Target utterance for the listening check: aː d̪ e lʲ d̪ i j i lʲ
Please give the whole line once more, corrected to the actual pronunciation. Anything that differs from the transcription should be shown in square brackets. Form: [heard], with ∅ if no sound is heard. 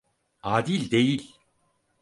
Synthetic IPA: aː d̪ [i] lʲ d̪ [e] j i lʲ